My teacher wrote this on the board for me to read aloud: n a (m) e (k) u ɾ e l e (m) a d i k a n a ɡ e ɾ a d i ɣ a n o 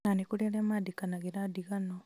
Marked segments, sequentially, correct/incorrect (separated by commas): incorrect, correct, correct